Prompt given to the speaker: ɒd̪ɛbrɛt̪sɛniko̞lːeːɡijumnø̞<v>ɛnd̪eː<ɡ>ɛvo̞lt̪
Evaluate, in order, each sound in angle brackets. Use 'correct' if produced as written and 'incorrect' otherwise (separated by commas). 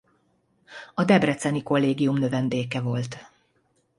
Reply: correct, incorrect